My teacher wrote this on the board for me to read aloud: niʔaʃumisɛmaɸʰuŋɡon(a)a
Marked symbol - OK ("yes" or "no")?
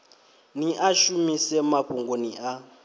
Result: no